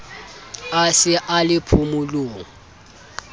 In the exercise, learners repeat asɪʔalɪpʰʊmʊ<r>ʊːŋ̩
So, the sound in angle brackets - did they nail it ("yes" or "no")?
no